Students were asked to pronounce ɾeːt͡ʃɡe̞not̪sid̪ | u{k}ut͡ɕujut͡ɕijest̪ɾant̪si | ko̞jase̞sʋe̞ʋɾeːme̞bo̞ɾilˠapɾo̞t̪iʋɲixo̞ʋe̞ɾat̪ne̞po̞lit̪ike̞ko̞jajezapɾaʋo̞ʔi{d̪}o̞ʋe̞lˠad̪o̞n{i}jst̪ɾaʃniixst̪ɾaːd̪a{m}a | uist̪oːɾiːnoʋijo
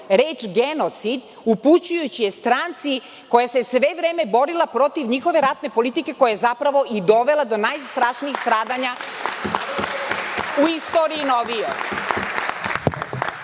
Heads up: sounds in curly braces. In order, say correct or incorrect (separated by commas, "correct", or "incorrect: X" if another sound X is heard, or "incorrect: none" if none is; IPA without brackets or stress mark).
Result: incorrect: p, correct, incorrect: a, incorrect: ɲ